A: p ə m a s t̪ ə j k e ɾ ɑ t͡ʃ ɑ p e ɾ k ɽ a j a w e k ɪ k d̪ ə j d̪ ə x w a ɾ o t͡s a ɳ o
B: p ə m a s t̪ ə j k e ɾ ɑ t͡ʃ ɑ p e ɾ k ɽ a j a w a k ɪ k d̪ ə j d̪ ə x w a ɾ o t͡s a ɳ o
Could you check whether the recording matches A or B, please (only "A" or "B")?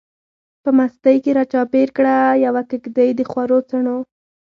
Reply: B